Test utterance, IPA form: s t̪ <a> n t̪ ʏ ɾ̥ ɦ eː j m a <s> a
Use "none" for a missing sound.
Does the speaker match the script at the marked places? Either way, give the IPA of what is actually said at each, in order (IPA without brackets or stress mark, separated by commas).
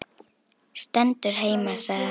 ɛ, s